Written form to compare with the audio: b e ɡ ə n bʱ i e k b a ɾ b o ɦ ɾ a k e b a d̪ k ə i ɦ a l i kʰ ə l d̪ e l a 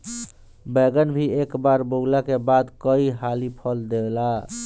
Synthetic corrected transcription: b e ɡ ə n bʱ i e k b a ɾ b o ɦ l a k e b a d̪ k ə i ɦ a l i pʰ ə l d̪ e l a